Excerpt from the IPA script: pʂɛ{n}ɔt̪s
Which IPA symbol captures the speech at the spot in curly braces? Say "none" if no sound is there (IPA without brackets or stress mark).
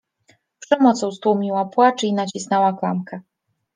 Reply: m